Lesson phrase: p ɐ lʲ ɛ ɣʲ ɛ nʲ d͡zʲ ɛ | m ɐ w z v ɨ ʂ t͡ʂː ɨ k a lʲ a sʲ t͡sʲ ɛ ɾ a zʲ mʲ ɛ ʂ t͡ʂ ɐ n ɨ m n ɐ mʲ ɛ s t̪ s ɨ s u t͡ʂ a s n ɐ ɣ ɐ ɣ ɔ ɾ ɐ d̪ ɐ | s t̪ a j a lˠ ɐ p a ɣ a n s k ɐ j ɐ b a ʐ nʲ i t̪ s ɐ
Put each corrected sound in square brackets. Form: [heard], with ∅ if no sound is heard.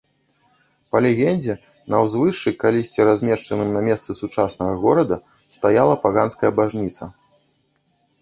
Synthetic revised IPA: p ɐ lʲ ɛ ɣʲ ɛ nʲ d͡zʲ ɛ | [n] ɐ w z v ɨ ʂ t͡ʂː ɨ k a lʲ [i] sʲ t͡sʲ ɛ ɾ a zʲ mʲ ɛ ʂ t͡ʂ ɐ n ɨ m n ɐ mʲ ɛ s t̪ s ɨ s u t͡ʂ a s n ɐ ɣ ɐ ɣ ɔ ɾ ɐ d̪ ɐ | s t̪ a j a lˠ ɐ p a ɣ a n s k ɐ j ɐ b a ʐ nʲ i t̪ s ɐ